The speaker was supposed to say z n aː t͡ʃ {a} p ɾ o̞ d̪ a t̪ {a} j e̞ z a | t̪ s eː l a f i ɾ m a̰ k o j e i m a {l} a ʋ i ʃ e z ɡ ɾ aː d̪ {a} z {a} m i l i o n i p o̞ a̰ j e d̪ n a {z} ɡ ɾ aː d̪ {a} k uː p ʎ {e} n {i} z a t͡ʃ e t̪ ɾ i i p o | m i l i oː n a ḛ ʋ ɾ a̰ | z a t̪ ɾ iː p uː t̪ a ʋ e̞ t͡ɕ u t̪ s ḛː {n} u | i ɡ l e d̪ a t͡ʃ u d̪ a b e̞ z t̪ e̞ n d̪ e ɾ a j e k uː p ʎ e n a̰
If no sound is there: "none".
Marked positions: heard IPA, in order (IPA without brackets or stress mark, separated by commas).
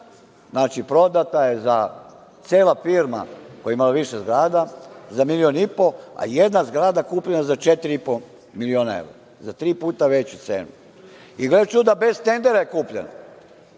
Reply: i, a, l, a, a, z, a, e, a, n